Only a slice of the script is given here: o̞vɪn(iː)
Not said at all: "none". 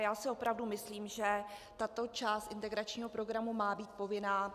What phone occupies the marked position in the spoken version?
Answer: aː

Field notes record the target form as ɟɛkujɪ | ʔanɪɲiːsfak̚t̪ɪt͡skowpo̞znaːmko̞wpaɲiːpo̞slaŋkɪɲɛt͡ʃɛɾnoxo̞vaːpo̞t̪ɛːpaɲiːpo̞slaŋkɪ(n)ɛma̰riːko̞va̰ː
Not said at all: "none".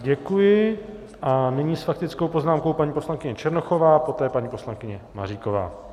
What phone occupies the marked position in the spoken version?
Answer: ɲ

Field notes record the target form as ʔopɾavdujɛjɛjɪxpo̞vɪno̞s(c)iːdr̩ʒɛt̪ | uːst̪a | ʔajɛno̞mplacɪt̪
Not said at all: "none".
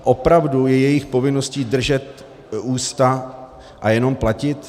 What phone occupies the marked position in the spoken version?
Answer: c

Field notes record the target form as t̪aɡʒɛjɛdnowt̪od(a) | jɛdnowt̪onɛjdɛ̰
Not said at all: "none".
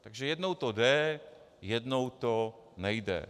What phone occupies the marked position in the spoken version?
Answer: ɛ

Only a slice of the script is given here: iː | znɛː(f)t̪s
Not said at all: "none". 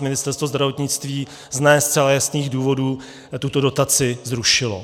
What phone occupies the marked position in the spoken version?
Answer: s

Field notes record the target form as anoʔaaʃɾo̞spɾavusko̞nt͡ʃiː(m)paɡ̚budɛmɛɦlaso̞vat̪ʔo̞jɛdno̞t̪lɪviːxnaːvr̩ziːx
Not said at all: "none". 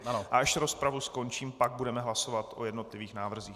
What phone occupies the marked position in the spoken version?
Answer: m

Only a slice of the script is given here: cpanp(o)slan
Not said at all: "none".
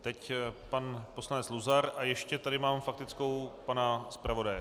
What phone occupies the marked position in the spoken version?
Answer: o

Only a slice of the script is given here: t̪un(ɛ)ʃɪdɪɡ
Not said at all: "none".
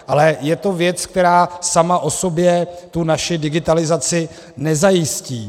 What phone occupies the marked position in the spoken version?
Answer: a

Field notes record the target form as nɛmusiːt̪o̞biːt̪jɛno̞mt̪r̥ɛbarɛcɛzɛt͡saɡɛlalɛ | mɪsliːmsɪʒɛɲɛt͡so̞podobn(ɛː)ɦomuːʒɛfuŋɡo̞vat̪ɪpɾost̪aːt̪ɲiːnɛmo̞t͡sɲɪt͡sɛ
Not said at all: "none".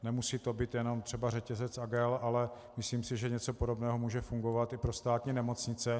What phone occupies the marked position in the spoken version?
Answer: ɛː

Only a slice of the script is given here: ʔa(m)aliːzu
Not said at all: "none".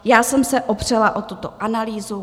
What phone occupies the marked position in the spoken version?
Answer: n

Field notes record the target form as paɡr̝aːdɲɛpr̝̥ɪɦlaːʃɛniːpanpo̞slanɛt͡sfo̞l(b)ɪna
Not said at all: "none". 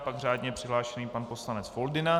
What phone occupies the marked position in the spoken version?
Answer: d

